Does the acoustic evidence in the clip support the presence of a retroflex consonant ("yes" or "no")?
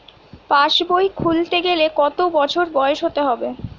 no